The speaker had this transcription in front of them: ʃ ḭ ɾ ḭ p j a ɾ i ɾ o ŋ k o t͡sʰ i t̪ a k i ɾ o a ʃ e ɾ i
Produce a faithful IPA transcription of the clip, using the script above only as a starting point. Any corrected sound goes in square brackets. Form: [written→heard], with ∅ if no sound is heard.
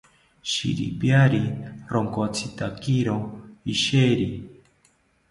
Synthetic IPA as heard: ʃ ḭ ɾ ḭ p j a ɾ i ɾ o ŋ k o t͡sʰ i t̪ a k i ɾ o [a→i] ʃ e ɾ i